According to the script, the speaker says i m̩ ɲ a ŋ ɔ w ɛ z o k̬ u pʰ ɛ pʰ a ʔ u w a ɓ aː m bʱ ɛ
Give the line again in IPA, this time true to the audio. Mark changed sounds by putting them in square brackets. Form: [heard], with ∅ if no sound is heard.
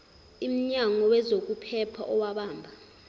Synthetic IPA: i m̩ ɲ a ŋ ɔ w ɛ z o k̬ u pʰ ɛ pʰ a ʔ [ɔ] w a ɓ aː m bʱ [a]